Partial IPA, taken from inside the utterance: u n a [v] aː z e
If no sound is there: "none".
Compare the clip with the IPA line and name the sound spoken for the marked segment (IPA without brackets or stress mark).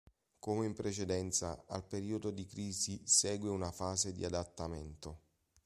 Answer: f